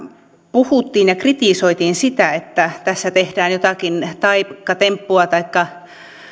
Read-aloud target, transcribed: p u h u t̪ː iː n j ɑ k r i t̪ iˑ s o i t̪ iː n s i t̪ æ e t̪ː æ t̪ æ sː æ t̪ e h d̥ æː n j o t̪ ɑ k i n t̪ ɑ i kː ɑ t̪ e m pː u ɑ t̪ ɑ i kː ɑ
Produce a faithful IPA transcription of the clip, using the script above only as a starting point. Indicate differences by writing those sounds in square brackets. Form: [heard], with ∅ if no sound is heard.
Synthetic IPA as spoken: p u h u t̪ː iː n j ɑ k r i t̪ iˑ s o i t̪ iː n s i t̪ æ e t̪ː æ t̪ æ sː æ t̪ e h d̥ æː n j o t̪ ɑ k i n t̪ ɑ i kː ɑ t̪ e m pː u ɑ t̪ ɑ i kː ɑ